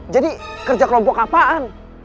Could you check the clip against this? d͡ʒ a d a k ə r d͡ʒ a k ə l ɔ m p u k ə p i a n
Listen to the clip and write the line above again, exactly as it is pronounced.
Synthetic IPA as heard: d͡ʒ a d i k ə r d͡ʒ a k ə l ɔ m p ɔ k a p a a n